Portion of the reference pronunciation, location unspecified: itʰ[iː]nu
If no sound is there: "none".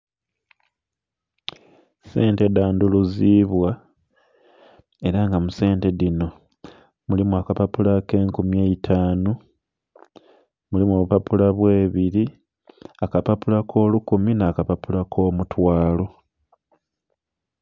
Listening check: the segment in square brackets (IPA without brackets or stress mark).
aː